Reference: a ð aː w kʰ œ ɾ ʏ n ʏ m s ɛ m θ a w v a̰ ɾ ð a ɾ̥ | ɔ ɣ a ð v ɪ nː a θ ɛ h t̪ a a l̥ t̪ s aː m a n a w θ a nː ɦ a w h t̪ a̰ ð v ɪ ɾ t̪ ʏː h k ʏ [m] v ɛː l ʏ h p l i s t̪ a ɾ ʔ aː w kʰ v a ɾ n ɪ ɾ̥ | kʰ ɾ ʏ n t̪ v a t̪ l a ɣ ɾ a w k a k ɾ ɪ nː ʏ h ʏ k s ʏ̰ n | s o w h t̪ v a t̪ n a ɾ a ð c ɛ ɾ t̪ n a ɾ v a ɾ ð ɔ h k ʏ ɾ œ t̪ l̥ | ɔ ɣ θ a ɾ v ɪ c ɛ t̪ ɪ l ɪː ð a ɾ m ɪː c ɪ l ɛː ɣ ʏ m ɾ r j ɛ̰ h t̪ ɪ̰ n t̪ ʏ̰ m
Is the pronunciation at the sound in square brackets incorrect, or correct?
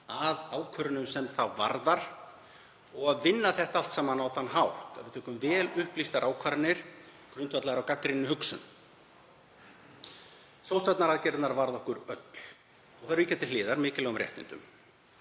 correct